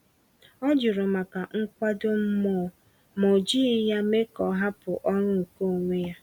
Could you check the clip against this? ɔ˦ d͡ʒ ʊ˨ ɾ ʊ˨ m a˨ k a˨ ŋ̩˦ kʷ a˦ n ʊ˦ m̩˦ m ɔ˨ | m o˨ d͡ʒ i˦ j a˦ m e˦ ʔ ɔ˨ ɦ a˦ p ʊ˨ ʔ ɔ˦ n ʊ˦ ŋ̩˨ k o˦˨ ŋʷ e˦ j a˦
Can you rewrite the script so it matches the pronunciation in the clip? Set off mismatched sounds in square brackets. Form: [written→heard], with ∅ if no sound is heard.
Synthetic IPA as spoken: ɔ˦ d͡ʒ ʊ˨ ɾ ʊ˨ m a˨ k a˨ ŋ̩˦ kʷ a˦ [n→d] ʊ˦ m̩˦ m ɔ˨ | m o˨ d͡ʒ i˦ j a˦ m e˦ [ʔ→k] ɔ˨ ɦ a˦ p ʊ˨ ʔ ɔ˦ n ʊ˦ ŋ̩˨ k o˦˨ ŋʷ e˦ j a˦

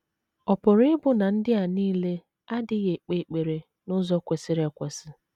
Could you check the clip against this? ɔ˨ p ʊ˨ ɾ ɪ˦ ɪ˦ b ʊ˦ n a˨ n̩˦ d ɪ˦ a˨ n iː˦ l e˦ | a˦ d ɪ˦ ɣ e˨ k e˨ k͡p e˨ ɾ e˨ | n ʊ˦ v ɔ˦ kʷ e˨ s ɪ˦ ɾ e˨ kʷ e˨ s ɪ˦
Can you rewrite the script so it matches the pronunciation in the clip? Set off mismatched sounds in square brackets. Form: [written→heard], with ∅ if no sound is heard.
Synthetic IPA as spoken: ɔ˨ p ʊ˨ ɾ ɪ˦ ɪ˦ b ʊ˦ n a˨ n̩˦ d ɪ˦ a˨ n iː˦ l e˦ | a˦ d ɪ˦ ɣ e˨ [k→k͡p] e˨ k͡p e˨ ɾ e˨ | n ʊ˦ [v→z] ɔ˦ kʷ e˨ s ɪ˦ ɾ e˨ kʷ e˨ s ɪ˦

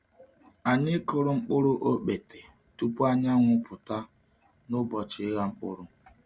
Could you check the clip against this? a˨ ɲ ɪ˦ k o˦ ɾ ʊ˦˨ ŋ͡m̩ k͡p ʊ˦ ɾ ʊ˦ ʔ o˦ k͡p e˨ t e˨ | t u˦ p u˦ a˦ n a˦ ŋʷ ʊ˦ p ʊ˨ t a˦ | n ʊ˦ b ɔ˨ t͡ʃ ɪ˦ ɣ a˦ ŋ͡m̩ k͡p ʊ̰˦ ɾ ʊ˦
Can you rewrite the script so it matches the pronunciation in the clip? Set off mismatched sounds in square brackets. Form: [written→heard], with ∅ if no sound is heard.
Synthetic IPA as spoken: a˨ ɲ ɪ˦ k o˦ ɾ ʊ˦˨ ŋ͡m̩ k͡p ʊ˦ ɾ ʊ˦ ʔ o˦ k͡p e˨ t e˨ | t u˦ p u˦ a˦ [n→ɲ] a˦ ŋʷ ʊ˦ p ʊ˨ t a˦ | n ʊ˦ b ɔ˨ t͡ʃ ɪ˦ ɣ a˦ ŋ͡m̩ k͡p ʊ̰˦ ɾ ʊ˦

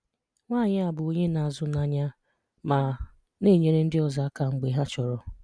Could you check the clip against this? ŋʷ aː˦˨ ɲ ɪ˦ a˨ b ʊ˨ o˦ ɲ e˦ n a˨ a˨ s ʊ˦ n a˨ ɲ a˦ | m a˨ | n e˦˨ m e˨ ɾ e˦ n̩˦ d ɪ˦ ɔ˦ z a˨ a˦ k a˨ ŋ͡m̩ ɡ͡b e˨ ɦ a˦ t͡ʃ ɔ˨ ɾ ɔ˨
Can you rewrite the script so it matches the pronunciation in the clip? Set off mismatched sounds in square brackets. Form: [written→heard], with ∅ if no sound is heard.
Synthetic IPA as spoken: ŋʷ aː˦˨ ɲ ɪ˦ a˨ b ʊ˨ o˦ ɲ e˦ n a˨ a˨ [s→z] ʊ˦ n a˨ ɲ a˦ | m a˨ | n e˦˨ [m→ɲ] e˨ ɾ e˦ n̩˦ d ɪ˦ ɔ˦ z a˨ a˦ k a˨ ŋ͡m̩ ɡ͡b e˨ ɦ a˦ t͡ʃ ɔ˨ ɾ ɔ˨

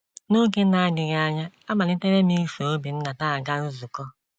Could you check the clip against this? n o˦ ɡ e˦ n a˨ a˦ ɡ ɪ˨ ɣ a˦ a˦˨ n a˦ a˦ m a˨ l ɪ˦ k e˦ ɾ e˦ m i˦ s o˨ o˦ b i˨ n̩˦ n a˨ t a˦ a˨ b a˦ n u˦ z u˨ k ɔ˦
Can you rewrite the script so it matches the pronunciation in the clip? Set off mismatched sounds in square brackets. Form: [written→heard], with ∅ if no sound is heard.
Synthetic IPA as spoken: n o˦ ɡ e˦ n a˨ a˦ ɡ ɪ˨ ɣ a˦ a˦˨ [n→ɲ] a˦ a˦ m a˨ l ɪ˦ [k→t] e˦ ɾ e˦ m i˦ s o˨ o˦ b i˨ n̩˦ n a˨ t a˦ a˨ [b→ɡ] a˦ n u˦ z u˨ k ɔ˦

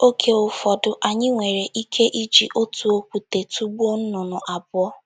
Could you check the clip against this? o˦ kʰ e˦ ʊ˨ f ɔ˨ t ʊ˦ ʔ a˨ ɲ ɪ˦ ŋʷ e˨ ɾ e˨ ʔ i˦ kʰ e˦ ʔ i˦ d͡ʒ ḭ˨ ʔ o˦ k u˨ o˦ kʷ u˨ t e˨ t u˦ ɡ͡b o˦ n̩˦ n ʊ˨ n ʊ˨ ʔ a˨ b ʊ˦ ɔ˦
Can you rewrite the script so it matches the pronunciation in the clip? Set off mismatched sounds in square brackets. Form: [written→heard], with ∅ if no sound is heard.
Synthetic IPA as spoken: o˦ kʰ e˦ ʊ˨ f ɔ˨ [t→d] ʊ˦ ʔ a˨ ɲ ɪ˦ ŋʷ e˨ ɾ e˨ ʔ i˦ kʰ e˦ ʔ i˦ d͡ʒ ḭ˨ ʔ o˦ [k→t] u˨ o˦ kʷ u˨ t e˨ t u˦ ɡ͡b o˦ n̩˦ n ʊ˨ n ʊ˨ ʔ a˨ b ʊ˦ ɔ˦

